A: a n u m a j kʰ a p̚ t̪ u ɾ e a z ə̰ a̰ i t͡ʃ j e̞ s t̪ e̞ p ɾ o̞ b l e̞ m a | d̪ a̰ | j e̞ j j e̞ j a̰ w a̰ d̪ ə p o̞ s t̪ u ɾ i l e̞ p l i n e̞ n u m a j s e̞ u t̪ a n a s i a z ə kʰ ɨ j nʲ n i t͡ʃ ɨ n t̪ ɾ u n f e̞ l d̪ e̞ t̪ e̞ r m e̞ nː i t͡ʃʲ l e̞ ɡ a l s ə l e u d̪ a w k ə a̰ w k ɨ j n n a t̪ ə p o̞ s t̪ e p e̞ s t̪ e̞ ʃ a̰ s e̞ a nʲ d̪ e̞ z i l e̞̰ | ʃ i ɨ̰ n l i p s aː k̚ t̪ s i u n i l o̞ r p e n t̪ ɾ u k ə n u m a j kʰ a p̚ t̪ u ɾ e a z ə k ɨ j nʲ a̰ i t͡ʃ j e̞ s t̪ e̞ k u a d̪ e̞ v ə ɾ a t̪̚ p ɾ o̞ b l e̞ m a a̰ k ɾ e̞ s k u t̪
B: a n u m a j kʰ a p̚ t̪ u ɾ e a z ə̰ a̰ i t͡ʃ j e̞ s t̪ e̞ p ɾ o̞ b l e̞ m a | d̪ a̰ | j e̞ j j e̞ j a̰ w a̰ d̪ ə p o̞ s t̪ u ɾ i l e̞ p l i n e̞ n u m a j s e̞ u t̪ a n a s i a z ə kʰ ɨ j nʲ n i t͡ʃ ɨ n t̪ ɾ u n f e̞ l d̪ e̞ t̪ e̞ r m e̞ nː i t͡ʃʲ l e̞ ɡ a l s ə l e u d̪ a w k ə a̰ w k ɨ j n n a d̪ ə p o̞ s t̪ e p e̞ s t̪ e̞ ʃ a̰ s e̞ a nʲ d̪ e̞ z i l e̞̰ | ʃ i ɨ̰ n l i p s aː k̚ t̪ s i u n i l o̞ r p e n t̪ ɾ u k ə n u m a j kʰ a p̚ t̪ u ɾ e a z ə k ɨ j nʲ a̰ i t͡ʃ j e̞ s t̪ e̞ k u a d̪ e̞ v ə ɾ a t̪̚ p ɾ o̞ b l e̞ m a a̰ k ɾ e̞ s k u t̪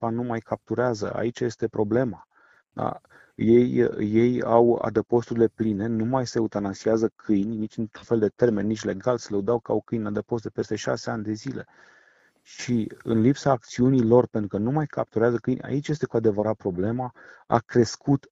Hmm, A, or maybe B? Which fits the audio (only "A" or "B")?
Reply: B